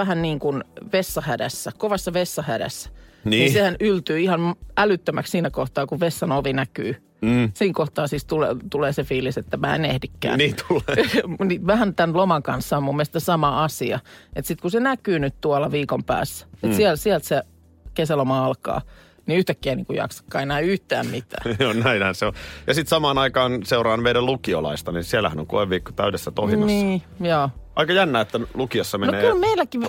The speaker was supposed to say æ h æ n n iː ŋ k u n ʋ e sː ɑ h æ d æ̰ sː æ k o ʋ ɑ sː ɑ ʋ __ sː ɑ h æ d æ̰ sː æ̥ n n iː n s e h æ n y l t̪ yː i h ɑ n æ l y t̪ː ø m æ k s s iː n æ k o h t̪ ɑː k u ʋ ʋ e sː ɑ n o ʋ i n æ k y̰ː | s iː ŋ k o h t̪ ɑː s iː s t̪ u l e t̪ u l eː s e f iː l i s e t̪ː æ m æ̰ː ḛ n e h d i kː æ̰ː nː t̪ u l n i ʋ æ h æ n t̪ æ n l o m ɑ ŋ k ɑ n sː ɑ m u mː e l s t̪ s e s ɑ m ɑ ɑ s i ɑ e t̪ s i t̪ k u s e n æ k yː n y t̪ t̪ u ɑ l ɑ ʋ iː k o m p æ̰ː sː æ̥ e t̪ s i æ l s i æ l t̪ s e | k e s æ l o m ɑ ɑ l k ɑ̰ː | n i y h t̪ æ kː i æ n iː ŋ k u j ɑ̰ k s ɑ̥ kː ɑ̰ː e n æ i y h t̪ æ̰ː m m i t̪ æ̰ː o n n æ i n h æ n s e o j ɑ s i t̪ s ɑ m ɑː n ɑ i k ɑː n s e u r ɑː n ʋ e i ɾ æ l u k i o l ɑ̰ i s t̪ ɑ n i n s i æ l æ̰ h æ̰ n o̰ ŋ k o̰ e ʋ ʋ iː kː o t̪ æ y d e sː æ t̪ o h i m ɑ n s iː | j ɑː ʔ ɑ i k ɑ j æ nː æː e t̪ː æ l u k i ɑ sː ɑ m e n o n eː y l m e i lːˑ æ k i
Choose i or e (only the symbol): e